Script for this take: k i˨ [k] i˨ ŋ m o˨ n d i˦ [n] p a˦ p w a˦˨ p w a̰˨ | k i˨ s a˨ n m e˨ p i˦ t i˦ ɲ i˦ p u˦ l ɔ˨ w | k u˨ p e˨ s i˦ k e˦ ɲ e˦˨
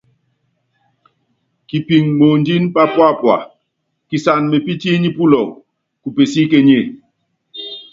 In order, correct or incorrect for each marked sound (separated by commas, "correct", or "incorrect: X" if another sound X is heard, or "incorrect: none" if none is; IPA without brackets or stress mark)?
incorrect: p, correct